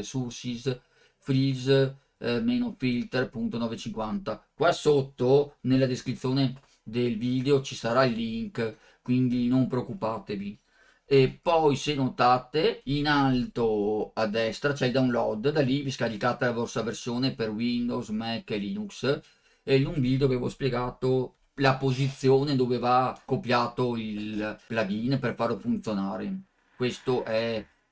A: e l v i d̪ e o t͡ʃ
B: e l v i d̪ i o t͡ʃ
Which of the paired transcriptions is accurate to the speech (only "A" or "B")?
A